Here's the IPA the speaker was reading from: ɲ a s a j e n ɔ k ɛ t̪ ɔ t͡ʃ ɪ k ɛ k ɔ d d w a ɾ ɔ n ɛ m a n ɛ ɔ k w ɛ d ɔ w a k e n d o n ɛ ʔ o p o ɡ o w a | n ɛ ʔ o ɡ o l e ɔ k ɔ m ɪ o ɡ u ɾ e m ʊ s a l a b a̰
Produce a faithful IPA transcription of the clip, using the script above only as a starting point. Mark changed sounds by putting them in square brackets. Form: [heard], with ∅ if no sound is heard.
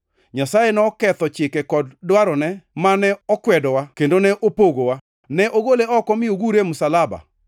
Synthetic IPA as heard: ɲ a s a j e n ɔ k ɛ t̪ ɔ t͡ʃ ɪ k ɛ k ɔ d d w a ɾ ɔ n ɛ m a n ɛ ɔ k w ɛ d ɔ w a k e n d o n ɛ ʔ o p o ɡ o w a | n ɛ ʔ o ɡ o l e ɔ k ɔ m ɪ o ɡ u ɾ e m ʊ s a l a b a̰

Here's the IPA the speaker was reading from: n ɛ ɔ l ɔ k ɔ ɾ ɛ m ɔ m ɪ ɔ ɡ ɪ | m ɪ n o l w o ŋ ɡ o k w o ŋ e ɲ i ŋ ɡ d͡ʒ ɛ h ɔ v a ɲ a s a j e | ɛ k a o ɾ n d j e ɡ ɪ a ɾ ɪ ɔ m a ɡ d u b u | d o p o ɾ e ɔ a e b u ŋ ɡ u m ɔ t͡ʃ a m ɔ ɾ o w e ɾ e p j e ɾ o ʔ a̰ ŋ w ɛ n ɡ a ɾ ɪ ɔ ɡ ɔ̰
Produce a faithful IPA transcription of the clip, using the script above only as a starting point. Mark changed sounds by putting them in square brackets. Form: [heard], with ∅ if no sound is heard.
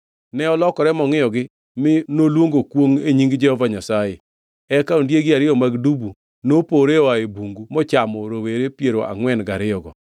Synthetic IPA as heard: n ɛ ɔ l ɔ k ɔ ɾ ɛ m ɔ [ŋ] ɪ ɔ ɡ ɪ | m ɪ n o l w o ŋ ɡ o k w o ŋ e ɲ i ŋ ɡ d͡ʒ ɛ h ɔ v a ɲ a s a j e | ɛ k a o [∅] n d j e ɡ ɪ a ɾ ɪ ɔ m a ɡ d u b u | [n] o p o ɾ e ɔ a e b u ŋ ɡ u m ɔ t͡ʃ a m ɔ ɾ o w e ɾ e p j e ɾ o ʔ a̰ ŋ w ɛ n ɡ a ɾ ɪ ɔ ɡ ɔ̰

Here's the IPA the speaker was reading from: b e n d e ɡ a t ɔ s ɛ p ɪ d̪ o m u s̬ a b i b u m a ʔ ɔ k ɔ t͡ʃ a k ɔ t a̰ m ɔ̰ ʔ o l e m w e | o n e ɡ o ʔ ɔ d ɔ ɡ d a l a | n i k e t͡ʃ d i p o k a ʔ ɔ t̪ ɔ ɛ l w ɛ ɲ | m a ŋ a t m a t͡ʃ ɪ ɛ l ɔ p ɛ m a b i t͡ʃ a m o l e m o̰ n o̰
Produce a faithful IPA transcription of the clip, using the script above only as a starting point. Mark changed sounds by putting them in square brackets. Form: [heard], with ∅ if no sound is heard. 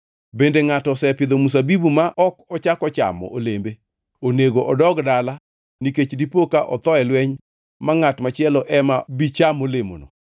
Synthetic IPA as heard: b e n d e [ŋ] a t ɔ s ɛ p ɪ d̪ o m u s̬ a b i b u m a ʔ ɔ k ɔ t͡ʃ a k ɔ [t͡ʃ] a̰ m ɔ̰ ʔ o l e m [b] e | o n e ɡ o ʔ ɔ d ɔ ɡ d a l a | n i k e t͡ʃ d i p o k a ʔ ɔ t̪ ɔ ɛ l w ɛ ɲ | m a ŋ a t m a t͡ʃ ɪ ɛ l ɔ [ʔ] ɛ m a b i t͡ʃ a m o l e m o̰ n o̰

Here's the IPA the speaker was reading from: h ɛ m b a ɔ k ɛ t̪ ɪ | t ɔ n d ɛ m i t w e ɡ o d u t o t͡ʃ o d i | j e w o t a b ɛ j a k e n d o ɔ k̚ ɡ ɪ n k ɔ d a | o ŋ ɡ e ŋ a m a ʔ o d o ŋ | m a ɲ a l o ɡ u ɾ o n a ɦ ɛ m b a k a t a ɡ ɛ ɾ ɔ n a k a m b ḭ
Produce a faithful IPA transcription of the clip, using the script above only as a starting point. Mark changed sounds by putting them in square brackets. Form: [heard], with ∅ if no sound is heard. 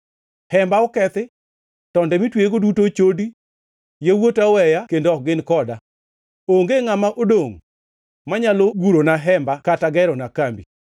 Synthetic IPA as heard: h ɛ m b a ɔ k ɛ t̪ ɪ | t ɔ n d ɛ m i t w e ɡ o d u t o t͡ʃ o d i | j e w o t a [w] ɛ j a k e n d o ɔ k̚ ɡ ɪ n k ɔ d a | o ŋ ɡ e ŋ a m a ʔ o d o ŋ | m a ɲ a l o ɡ u ɾ o n a ɦ ɛ m b a k a t a ɡ ɛ ɾ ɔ n a k a m b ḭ

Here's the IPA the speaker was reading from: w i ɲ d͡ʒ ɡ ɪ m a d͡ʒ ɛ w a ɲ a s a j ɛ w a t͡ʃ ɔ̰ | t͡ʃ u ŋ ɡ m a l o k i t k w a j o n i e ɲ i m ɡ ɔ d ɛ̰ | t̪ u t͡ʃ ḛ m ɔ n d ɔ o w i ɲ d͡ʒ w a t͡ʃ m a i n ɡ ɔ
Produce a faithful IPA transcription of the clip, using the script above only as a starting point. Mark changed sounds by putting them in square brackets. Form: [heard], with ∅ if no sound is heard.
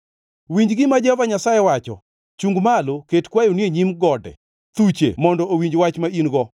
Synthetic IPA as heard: w i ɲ d͡ʒ ɡ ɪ m a d͡ʒ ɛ [v] a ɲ a s a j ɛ w a t͡ʃ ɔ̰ | t͡ʃ u ŋ ɡ m a l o k [e] t k w a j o n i e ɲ i m ɡ ɔ d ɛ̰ | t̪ u t͡ʃ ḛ m ɔ n d ɔ o w i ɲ d͡ʒ w a t͡ʃ m a i n ɡ ɔ

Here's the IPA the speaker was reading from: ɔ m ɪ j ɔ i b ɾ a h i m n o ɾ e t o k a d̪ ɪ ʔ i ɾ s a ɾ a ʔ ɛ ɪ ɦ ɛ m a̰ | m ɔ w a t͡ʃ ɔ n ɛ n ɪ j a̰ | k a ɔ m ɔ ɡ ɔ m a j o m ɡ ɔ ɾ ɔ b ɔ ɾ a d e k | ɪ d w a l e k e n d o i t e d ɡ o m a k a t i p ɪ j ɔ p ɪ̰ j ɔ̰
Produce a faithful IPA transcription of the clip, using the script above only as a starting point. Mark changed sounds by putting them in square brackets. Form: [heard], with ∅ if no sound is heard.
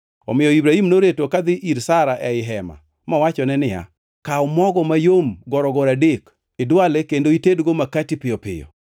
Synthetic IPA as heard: ɔ m ɪ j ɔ i b ɾ a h i m n o ɾ e t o k a d̪ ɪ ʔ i ɾ s a ɾ a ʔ ɛ ɪ ɦ ɛ m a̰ | m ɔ w a t͡ʃ ɔ n ɛ n ɪ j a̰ | k a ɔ m ɔ ɡ ɔ m a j o m ɡ ɔ ɾ ɔ [ɡ] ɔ ɾ a d e k | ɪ d w a l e k e n d o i t e d ɡ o m a k a t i p ɪ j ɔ p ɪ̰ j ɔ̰

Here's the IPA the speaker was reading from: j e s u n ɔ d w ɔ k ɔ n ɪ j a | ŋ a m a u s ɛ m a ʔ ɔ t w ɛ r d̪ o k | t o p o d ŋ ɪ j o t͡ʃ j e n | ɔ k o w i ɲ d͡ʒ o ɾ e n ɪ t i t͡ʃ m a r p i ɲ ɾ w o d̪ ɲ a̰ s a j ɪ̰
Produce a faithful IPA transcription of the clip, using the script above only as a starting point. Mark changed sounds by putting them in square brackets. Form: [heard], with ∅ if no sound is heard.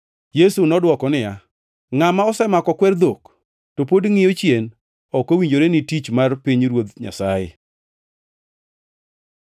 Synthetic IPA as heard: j e s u n ɔ d w ɔ k ɔ n ɪ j a | ŋ a m a [ɔ] s ɛ m a [k] ɔ [k] w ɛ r d̪ o k | t o p o d ŋ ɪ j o t͡ʃ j e n | ɔ k o w i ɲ d͡ʒ o ɾ e n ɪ t i t͡ʃ m a r p i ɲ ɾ w o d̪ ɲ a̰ s a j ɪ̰

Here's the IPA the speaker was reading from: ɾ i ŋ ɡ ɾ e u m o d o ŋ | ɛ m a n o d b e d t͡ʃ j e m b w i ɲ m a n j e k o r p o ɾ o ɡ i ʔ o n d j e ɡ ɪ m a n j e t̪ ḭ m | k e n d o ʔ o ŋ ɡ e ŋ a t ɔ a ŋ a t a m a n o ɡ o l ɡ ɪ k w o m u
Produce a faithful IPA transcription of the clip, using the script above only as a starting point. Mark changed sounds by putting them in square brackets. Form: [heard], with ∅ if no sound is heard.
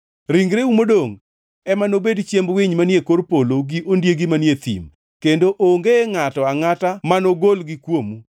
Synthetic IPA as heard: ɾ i ŋ ɡ ɾ e u m o d o ŋ | ɛ m a n o [∅] b e d t͡ʃ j e m b w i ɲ m a n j e k o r p o [l] o ɡ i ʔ o n d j e ɡ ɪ m a n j e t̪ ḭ m | k e n d o ʔ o ŋ ɡ e ŋ a t ɔ a ŋ a t a m a n o ɡ o l ɡ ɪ k w o m u

